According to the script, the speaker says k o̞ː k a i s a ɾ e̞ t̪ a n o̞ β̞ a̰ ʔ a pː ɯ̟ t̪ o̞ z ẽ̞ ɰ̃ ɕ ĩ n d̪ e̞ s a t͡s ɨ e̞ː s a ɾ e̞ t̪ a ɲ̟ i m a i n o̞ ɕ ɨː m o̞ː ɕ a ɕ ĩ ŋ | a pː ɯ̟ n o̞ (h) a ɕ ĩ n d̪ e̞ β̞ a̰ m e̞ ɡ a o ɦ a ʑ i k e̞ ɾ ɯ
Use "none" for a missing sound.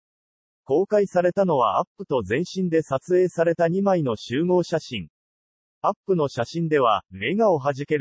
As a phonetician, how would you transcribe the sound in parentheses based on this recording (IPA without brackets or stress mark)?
ɕ